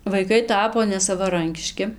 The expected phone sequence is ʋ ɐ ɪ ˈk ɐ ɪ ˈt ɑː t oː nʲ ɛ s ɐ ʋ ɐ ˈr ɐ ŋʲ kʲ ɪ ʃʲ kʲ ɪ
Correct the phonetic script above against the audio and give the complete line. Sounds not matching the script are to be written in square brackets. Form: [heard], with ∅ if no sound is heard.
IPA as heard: ʋ ɐ ɪ ˈk ɐ ɪ ˈt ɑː [p] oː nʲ ɛ s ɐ ʋ ɐ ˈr ɐ ŋʲ kʲ ɪ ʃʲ kʲ ɪ